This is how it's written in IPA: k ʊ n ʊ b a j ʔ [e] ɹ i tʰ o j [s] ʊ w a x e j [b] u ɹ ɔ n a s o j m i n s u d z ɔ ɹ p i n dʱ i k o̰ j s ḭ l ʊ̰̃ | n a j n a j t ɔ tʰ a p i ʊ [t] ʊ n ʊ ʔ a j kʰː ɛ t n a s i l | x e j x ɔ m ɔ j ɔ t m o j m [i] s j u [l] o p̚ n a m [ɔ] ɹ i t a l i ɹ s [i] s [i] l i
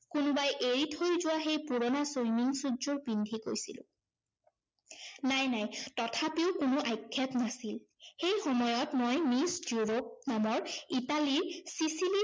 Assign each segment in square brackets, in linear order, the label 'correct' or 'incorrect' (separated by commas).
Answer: correct, incorrect, incorrect, incorrect, correct, incorrect, correct, correct, correct